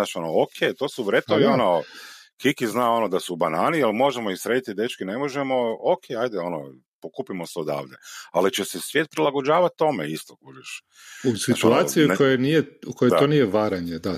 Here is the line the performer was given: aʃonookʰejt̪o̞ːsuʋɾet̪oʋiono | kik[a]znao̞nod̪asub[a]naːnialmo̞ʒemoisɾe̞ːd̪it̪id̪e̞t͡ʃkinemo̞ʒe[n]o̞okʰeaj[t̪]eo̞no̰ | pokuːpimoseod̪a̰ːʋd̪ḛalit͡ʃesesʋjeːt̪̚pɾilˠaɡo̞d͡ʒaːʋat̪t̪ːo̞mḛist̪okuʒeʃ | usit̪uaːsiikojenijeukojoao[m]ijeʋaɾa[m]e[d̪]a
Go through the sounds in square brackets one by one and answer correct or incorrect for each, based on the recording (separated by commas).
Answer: incorrect, correct, incorrect, incorrect, incorrect, incorrect, correct